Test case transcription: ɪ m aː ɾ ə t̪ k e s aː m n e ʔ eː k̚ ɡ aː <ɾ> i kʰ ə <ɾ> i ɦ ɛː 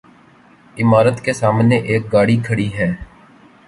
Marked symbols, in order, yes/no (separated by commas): no, no